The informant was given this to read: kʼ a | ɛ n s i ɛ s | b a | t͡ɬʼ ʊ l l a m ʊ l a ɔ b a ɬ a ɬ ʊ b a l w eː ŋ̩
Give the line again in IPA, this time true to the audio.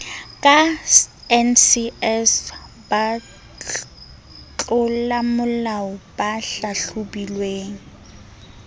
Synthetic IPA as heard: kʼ a | ɛ n s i ɛ s | b a | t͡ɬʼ ʊ l l a m ʊ l a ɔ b a ɬ a ɬ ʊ b i l w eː ŋ̩